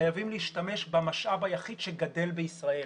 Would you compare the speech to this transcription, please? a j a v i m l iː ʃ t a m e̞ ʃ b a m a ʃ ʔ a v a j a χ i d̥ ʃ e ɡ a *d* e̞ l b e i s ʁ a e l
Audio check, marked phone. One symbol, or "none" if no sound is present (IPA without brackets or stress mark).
d